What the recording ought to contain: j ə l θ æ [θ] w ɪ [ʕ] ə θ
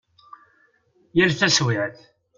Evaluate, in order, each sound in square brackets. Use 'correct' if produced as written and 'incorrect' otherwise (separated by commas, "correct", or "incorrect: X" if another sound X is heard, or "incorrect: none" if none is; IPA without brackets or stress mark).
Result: incorrect: s, correct